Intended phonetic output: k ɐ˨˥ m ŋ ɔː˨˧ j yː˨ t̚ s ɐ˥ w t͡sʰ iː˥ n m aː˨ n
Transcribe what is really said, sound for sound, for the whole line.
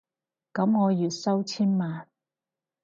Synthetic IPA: k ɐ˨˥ m ŋ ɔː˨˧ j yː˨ t̚ s ɐ˥ w t͡sʰ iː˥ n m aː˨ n